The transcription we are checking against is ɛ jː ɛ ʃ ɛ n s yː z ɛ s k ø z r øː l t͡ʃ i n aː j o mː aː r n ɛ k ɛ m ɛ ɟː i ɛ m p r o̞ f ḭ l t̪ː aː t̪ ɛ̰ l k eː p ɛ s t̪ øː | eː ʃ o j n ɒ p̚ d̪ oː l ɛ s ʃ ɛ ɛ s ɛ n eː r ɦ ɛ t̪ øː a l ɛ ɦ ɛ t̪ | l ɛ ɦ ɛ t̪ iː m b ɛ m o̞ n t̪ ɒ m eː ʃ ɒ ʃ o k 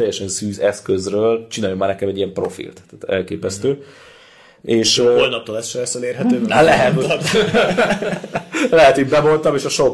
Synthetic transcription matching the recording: ɛ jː ɛ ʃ ɛ n s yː z ɛ s k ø z r øː l t͡ʃ i n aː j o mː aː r n ɛ k ɛ m ɛ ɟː i ɛ m p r o̞ f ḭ l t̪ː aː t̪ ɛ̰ l k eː p ɛ s t̪ øː | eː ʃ o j n ɒ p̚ t̪ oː l ɛ s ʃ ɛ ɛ s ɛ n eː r ɦ ɛ t̪ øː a l ɛ ɦ ɛ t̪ | l ɛ ɦ ɛ t̪ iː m b ɛ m o̞ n t̪ ɒ m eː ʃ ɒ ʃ o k